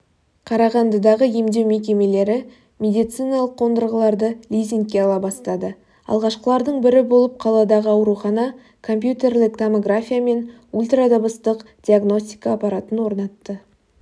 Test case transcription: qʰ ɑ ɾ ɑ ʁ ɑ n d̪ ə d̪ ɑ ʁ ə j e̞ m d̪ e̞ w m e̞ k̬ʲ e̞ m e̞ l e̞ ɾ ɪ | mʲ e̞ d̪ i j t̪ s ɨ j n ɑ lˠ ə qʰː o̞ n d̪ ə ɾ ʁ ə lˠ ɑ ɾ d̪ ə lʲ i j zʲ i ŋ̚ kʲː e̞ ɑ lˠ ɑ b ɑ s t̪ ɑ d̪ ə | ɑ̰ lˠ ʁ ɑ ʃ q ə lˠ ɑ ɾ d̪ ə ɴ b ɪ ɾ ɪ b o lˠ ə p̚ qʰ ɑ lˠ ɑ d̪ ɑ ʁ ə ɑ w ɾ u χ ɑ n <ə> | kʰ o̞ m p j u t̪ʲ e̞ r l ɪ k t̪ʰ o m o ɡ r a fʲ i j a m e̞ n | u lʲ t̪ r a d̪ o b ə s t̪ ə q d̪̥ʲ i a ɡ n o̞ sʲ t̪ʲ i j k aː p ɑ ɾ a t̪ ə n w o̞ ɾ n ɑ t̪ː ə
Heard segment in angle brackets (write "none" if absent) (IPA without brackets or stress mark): ɑ